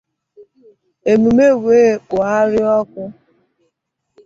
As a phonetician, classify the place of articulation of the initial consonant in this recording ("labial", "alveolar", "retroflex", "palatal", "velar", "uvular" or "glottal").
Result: labial